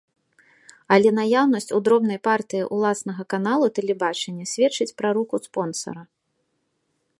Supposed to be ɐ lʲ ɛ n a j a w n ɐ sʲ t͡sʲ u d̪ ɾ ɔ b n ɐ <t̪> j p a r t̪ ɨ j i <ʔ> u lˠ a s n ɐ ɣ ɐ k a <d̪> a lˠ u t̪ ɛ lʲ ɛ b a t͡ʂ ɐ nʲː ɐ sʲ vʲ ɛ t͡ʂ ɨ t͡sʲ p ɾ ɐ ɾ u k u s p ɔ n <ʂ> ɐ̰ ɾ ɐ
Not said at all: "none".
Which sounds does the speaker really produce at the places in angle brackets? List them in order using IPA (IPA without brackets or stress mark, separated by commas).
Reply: none, ʔ, n̪, s